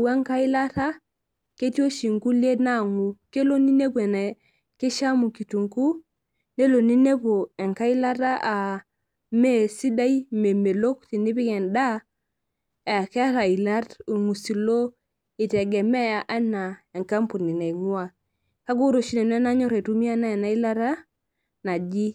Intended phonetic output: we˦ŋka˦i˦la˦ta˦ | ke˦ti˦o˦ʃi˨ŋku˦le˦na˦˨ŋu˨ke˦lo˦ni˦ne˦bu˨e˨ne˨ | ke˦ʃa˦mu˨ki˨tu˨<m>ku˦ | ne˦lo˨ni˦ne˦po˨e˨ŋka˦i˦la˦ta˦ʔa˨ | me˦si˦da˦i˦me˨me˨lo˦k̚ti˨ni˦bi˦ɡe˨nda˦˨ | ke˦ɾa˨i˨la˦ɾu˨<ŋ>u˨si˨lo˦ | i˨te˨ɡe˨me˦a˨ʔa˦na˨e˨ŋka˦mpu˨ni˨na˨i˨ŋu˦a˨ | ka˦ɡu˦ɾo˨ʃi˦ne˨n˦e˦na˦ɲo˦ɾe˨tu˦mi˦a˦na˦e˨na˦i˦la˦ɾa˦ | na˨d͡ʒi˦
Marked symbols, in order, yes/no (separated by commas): no, yes